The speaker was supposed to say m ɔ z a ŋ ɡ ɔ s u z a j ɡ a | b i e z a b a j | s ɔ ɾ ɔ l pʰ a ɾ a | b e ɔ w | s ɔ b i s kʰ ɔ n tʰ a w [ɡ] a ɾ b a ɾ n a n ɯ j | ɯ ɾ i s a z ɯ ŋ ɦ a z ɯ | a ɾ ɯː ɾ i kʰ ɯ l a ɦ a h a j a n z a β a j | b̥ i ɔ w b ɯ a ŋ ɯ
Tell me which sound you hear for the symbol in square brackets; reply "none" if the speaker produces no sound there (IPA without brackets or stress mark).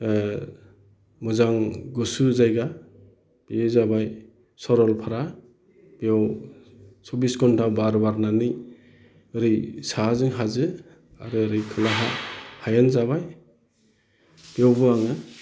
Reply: b